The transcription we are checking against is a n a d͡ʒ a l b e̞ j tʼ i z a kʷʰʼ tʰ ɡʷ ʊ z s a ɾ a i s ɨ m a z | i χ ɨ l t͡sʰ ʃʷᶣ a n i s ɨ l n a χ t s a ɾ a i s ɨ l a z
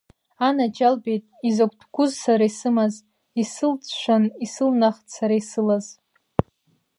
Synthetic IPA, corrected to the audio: a n a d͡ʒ a l b e̞ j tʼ i z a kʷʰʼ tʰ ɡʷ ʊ z s a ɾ a i s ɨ m a z | i s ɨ l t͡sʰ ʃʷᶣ a n i s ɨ l n a χ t s a ɾ a i s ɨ l a z